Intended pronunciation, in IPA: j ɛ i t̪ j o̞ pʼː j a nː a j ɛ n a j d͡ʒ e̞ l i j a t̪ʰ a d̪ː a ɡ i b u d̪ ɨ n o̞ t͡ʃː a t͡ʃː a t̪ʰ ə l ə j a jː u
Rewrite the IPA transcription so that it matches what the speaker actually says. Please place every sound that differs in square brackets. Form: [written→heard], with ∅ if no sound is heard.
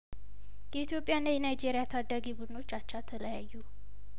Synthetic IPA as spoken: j ɛ i t̪ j o̞ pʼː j a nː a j ɛ n a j d͡ʒ e̞ [l→ɾ] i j a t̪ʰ a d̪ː a ɡ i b u d̪ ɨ n o̞ t͡ʃː a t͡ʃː a t̪ʰ ə l ə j a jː u